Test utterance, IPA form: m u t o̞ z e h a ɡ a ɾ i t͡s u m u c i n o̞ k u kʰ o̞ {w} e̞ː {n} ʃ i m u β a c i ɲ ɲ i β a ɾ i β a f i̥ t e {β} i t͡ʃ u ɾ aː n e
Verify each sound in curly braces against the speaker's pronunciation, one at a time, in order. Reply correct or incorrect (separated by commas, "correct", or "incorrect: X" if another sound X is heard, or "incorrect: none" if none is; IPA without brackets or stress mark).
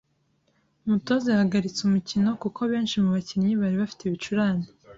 incorrect: β, correct, correct